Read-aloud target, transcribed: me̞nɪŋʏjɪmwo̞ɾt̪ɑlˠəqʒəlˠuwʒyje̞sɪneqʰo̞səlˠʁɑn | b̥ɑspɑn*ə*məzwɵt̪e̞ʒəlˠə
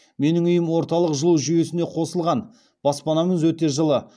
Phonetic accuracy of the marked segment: incorrect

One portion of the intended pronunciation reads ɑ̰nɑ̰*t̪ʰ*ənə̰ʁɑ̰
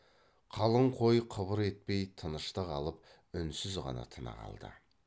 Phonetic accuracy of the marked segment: correct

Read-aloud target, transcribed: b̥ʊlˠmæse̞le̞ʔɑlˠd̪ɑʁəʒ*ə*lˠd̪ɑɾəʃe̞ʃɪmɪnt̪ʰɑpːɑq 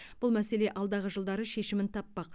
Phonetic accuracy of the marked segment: correct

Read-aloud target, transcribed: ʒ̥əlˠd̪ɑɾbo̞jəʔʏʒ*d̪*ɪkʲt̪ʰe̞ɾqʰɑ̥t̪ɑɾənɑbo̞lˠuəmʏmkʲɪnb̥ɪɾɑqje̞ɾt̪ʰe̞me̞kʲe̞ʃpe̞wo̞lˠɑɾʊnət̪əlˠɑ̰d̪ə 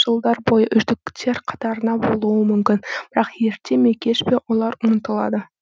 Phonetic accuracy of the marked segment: correct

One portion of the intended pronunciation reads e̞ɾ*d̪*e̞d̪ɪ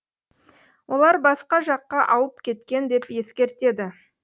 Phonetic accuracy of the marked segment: incorrect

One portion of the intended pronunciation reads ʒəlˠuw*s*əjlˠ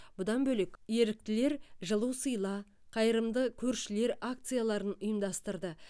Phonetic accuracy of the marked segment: correct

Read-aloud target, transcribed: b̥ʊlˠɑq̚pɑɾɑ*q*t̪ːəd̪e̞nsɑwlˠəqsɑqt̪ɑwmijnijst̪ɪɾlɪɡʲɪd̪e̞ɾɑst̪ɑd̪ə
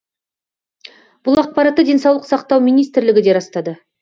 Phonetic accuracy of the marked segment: incorrect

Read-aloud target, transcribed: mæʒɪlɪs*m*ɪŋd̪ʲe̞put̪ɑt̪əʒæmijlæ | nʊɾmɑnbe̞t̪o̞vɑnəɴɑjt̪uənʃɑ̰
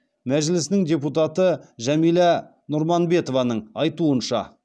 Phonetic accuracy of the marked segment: incorrect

